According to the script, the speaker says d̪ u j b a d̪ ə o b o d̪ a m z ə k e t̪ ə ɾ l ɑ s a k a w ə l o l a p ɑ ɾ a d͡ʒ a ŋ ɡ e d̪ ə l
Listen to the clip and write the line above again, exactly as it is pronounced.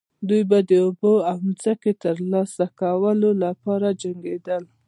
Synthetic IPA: d̪ u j b a d̪ ə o b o a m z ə k e t̪ ə ɾ l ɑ s a k a w ə l o l a p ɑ ɾ a d͡ʒ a ŋ ɡ e d̪ ə l